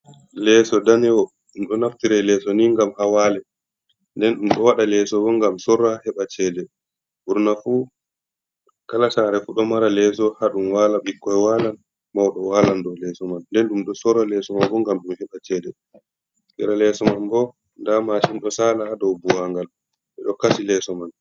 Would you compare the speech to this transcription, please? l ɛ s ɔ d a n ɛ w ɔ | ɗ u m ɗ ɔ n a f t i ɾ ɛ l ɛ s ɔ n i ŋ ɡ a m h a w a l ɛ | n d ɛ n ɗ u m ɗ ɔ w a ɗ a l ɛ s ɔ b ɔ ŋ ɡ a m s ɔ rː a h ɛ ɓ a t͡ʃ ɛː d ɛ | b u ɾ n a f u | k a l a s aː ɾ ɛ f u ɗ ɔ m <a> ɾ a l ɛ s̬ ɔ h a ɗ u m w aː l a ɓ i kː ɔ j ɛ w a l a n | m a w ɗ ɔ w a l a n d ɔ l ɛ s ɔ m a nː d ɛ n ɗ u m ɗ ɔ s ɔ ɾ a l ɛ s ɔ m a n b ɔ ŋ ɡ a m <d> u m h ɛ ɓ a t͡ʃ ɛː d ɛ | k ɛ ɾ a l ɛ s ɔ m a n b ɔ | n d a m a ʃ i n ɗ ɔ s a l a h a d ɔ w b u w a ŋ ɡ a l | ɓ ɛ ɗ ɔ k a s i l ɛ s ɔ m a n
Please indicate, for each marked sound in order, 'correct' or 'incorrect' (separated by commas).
correct, incorrect